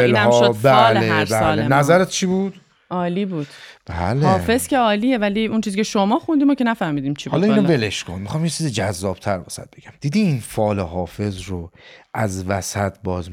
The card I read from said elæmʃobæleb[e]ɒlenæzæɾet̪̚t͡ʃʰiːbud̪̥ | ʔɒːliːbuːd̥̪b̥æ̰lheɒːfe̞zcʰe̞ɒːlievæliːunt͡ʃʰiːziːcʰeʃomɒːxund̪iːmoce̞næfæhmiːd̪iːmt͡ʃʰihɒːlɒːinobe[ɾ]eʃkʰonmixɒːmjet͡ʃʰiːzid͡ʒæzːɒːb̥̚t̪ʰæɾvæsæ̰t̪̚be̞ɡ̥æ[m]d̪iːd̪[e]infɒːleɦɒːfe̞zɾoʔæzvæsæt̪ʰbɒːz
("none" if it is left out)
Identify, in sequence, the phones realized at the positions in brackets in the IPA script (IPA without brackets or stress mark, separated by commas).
æ, l, m, i